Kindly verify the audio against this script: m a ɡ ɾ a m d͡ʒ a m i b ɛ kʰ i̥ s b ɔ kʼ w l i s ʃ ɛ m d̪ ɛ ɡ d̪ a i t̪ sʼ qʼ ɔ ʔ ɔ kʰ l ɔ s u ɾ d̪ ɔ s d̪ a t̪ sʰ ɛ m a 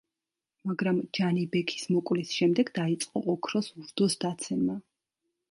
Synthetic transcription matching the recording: m a ɡ ɾ a m d͡ʒ a n i b ɛ kʰ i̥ s m ɔ kʼ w l i s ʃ ɛ m d̪ ɛ ɡ d̪ a i t̪ sʼ qʼ ɔ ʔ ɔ kʰ ɾ ɔ s u ɾ d̪ ɔ s d̪ a t̪ sʰ ɛ m a